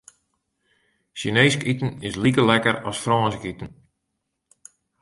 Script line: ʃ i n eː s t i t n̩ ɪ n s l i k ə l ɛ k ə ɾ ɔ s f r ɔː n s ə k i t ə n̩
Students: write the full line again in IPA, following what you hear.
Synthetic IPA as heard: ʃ i n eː s k i t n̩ ɪ s l i k ə l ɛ k ə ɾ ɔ s f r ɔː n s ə k i t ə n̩